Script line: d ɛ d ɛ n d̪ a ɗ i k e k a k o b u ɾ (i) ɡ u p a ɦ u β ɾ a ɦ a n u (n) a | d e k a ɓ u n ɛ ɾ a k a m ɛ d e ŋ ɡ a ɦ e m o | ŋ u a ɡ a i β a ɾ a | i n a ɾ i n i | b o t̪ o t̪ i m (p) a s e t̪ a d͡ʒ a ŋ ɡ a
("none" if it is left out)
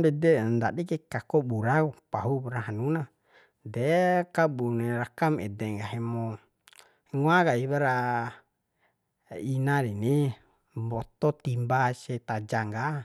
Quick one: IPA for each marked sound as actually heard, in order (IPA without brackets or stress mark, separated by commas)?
a, n, b